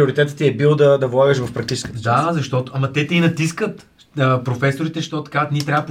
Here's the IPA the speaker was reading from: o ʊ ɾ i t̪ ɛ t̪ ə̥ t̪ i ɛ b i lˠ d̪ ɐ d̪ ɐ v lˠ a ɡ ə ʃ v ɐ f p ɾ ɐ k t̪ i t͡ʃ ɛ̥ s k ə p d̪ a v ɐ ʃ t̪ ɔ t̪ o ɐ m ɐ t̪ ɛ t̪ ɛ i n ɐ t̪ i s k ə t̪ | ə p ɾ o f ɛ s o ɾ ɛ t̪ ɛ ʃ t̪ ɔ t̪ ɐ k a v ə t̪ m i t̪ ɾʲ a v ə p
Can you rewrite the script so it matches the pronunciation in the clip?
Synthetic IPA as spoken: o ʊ ɾ i t̪ ɛ t̪ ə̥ t̪ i ɛ b i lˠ d̪ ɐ d̪ ɐ v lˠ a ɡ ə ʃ v ɐ f p ɾ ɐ k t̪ i t͡ʃ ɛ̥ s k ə d̪ a z ɐ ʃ t̪ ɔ t̪ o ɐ m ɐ t̪ ɛ t̪ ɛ i n ɐ t̪ i s k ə t̪ | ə p ɾ o f ɛ s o ɾ i t̪ ɛ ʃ t̪ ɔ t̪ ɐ k a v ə t̪ n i t̪ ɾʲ a v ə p